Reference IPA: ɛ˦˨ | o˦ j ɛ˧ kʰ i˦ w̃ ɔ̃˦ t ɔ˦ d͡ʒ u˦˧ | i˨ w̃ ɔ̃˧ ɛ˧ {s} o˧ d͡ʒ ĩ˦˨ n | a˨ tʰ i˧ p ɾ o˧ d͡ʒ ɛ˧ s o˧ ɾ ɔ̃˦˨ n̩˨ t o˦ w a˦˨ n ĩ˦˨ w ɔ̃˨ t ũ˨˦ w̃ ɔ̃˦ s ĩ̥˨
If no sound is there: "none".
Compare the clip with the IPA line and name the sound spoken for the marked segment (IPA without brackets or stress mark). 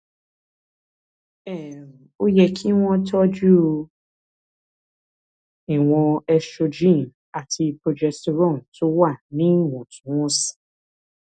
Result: ʃ